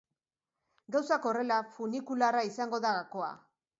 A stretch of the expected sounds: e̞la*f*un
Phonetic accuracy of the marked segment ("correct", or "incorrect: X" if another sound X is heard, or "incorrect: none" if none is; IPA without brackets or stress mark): correct